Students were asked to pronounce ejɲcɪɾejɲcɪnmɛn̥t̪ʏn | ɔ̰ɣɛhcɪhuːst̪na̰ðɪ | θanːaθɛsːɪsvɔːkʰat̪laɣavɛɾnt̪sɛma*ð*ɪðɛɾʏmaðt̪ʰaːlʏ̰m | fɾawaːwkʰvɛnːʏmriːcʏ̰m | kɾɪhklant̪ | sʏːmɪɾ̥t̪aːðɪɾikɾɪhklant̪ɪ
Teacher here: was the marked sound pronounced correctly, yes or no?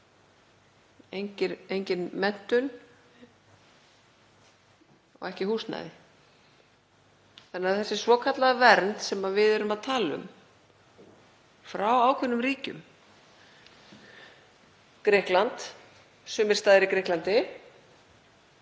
no